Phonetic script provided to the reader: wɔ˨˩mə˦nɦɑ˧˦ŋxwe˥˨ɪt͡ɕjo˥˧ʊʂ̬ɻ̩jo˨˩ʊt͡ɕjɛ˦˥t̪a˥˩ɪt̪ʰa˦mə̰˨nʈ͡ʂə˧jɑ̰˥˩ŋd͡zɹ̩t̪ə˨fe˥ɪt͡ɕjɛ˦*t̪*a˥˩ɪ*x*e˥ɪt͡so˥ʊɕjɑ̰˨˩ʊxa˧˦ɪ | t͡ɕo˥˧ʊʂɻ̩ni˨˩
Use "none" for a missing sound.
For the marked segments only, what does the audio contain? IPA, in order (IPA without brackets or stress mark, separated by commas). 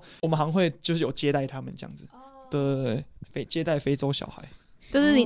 t̪, f